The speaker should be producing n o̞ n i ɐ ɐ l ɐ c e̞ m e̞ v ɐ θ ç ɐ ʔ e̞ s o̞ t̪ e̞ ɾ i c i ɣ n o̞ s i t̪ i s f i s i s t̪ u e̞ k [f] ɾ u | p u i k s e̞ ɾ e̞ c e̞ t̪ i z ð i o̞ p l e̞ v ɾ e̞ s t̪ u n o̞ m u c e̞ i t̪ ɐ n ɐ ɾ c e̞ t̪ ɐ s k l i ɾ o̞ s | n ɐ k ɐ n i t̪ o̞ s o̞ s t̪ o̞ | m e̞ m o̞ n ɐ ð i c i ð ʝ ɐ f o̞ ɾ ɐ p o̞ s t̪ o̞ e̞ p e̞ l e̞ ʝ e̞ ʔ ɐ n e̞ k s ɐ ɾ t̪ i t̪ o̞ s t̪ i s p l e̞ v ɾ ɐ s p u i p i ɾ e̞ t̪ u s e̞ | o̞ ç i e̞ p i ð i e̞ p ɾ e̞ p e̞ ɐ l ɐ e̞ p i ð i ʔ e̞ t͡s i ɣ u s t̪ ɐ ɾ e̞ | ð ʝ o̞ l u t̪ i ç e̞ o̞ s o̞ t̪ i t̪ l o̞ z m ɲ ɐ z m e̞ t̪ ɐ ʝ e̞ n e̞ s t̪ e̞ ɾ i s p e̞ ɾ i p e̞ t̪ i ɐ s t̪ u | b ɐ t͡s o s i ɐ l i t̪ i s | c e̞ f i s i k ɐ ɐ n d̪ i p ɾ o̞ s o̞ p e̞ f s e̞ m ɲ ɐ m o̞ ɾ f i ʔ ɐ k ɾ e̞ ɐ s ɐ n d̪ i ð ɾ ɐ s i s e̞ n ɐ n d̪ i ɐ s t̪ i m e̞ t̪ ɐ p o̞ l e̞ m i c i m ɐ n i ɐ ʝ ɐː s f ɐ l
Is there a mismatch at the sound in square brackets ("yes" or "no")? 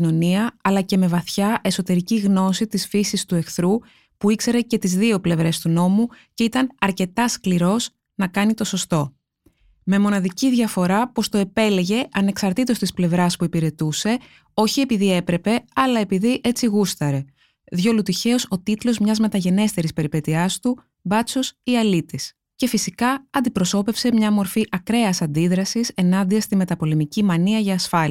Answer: yes